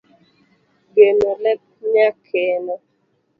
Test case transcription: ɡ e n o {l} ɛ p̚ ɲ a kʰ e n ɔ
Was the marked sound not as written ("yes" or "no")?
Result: no